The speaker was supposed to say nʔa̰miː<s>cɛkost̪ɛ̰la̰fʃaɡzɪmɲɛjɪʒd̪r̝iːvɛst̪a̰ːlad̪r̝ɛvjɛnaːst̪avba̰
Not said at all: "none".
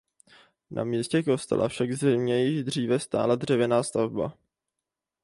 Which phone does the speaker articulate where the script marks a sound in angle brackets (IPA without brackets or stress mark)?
s